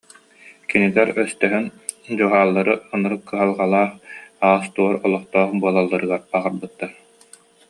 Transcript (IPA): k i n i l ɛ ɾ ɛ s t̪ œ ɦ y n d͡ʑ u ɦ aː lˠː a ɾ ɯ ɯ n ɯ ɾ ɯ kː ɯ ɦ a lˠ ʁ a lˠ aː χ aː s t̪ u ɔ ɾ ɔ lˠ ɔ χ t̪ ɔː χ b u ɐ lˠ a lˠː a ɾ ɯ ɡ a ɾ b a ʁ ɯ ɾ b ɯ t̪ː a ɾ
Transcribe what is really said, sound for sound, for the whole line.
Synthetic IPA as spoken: k i n i l ɛ ɾ œ s t̪ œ ɦ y n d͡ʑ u ɦ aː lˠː a ɾ ɯ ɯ n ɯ ɾ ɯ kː ɯ ɦ a lˠ ʁ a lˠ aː χ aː s t̪ u ɔ ɾ ɔ lˠ ɔ χ t̪ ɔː χ b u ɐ lˠ a lˠː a ɾ ɯ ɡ a ɾ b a ʁ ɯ ɾ b ɯ t̪ː a ɾ